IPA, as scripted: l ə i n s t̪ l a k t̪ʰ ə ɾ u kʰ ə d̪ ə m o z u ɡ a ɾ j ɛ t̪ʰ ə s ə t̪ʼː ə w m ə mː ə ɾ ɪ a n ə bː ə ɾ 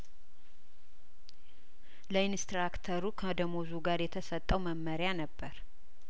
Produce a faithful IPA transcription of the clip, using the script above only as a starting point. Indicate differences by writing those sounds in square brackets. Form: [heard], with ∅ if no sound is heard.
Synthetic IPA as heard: l ə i n s t̪ [ɾ] a k t̪ʰ ə ɾ u kʰ ə d̪ ə m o z u ɡ a ɾ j ɛ t̪ʰ ə s ə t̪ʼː ə w m ə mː ə ɾ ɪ a n ə bː ə ɾ